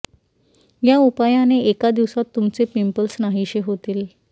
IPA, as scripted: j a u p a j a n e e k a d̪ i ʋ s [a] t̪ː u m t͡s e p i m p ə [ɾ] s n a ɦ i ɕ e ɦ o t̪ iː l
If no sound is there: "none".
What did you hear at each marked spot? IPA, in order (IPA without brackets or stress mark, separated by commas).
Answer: a, l